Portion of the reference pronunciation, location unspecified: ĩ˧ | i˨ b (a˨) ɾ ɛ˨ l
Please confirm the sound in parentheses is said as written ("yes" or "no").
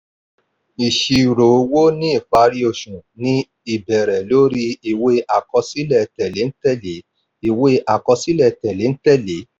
no